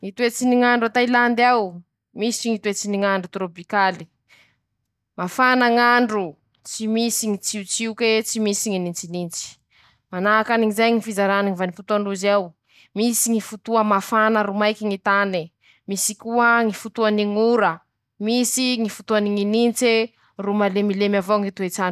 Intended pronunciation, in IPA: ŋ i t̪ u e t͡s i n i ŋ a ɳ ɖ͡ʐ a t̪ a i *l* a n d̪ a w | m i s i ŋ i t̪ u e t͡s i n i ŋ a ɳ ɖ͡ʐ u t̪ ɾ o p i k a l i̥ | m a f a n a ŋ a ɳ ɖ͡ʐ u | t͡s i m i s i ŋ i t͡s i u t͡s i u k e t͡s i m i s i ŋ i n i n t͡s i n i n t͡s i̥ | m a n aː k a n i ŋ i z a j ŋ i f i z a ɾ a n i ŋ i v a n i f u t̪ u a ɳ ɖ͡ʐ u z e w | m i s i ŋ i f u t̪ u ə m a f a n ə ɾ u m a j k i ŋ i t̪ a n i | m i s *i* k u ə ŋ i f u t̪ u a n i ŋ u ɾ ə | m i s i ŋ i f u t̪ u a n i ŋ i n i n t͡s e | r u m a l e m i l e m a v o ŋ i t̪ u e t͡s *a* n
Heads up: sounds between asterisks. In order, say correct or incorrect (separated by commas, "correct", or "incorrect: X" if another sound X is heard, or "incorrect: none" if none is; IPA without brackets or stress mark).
correct, correct, correct